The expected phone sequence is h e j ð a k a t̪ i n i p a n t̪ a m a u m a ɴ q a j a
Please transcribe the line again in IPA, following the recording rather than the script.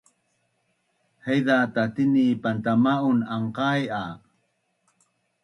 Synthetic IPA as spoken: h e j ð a t a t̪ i n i p a n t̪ a m a u n a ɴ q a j a